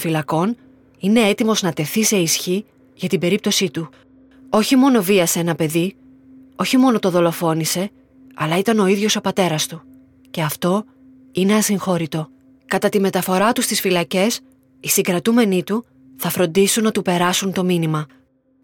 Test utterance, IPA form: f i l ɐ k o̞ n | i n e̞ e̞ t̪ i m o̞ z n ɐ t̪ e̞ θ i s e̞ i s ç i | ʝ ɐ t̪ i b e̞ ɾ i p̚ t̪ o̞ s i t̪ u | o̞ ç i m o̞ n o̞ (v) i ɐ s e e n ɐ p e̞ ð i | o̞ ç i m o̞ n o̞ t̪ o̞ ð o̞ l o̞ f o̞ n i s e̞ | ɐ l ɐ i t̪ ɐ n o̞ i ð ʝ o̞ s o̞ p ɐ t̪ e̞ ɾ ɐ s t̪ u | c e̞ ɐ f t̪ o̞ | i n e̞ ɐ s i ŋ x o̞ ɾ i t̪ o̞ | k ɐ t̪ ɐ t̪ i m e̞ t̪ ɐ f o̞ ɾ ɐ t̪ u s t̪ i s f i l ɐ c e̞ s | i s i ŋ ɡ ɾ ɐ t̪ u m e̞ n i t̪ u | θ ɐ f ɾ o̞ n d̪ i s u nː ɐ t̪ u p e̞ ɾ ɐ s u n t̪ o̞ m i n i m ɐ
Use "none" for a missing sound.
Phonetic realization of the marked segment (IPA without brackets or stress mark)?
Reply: v